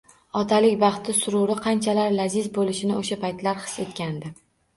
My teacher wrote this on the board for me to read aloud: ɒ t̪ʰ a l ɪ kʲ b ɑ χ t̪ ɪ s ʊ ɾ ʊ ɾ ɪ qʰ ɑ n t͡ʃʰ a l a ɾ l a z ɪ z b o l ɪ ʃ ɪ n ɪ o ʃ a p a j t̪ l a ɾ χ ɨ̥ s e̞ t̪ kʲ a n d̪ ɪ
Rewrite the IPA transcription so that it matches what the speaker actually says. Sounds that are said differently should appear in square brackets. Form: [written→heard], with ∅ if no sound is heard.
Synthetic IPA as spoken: ɒ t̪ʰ a l ɪ kʲ b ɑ χ t̪ ɪ s ʊ ɾ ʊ ɾ ɪ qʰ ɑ n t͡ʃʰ a l a ɾ l a z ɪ z b o l ɪ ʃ ɪ n ɪ o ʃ a p a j t̪ l a ɾ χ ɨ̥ s e̞ t̪ kʲ a n d̪ ɪ

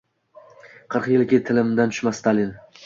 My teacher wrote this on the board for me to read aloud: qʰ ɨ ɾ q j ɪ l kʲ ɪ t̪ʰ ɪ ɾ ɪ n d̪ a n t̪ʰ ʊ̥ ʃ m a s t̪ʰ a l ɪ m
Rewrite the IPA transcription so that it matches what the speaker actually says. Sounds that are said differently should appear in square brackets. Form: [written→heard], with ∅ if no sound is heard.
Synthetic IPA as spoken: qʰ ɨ ɾ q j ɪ l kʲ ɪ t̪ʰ ɪ [ɾ→l] ɪ [n→m] d̪ a n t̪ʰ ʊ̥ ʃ m a s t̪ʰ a l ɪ [m→n]

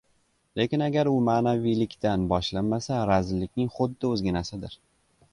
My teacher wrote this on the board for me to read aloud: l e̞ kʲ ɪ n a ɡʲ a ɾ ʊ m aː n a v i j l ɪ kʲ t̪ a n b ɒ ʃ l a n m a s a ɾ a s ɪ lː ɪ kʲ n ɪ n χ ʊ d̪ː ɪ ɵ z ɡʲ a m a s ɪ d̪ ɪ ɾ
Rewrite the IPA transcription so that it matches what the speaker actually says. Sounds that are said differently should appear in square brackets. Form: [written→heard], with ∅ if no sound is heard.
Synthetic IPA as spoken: l e̞ kʲ ɪ n a ɡʲ a ɾ ʊ m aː n a v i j l ɪ kʲ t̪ a n b ɒ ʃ l a n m a s a ɾ a [s→z] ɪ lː ɪ kʲ n ɪ [n→ŋ] χ ʊ d̪ː ɪ ɵ z ɡʲ a [m→n] a s ɪ d̪ ɪ ɾ

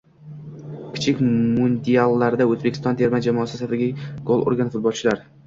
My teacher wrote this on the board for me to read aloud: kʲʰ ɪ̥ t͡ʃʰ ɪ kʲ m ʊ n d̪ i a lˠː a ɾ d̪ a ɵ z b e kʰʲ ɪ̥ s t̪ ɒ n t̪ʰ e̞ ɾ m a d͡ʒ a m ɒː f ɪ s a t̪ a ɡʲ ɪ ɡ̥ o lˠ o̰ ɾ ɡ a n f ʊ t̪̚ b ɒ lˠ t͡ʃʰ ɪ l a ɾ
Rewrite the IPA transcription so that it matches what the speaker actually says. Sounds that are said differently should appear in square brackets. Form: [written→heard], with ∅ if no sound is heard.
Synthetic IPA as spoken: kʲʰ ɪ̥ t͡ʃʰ ɪ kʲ m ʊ n d̪ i a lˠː a ɾ d̪ a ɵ z b e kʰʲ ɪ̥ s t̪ ɒ n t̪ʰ e̞ ɾ m a d͡ʒ a m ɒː [f→s] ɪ s a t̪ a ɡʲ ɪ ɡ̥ o lˠ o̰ ɾ ɡ a n f ʊ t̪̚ b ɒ lˠ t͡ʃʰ ɪ l a ɾ

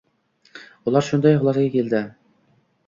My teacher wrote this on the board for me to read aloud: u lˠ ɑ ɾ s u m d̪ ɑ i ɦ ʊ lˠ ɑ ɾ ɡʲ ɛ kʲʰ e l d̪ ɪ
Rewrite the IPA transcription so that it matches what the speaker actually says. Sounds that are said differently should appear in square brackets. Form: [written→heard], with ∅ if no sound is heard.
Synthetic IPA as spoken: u lˠ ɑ ɾ [s→ʃ] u [m→n] d̪ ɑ [i→j] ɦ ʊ lˠ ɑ ɾ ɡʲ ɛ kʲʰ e l d̪ ɪ

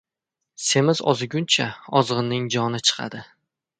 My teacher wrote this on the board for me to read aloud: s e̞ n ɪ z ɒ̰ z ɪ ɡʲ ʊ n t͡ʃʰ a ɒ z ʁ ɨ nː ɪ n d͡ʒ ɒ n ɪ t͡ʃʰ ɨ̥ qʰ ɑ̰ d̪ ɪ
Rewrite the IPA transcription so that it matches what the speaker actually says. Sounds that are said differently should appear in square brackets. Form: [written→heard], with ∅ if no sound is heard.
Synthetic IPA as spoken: s e̞ [n→m] ɪ z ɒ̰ z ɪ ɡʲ ʊ n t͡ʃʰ a ɒ z ʁ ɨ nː ɪ [n→ŋ] d͡ʒ ɒ n ɪ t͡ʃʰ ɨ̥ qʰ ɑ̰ d̪ ɪ

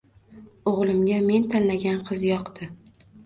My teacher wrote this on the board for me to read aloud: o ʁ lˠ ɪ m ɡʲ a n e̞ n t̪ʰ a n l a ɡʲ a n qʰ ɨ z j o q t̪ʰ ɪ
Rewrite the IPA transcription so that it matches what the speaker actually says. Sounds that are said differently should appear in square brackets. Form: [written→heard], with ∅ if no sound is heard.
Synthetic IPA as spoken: o ʁ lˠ ɪ m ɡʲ a [n→m] e̞ n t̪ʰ a n l a ɡʲ a n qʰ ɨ z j [o→ɒ] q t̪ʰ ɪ

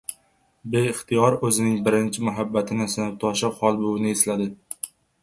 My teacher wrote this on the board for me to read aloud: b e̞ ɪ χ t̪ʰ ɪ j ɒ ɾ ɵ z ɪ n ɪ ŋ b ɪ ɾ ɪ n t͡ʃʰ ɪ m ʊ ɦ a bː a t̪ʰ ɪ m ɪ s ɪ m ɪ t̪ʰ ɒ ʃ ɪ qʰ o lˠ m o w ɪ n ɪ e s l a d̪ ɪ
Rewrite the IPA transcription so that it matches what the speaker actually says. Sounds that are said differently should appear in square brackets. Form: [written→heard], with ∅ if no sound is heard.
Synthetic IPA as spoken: b e̞ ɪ χ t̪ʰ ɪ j ɒ ɾ ɵ z ɪ n ɪ ŋ b ɪ ɾ ɪ n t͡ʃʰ ɪ m ʊ ɦ a bː a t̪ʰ ɪ [m→n] ɪ s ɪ [m→n] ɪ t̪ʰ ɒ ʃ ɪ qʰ [o→ɒ] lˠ [m→b] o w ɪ n ɪ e s l a d̪ ɪ

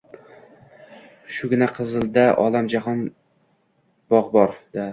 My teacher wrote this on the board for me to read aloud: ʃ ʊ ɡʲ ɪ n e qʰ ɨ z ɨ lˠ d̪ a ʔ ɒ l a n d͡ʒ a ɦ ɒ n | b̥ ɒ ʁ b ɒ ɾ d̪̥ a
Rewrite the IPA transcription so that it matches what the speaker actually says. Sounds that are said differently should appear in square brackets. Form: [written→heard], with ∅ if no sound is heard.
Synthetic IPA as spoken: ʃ ʊ ɡʲ ɪ n [e→a] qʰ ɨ z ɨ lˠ d̪ a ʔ ɒ l a [n→m] d͡ʒ a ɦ ɒ n | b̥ ɒ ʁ b ɒ ɾ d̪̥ a

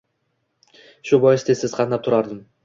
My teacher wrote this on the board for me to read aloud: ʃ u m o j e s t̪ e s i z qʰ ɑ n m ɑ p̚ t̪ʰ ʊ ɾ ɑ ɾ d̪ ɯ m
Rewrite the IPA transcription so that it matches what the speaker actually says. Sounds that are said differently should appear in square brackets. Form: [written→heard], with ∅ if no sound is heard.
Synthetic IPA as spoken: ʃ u [m→b] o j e s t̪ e s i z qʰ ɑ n [m→n] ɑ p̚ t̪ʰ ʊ ɾ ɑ ɾ d̪ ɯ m

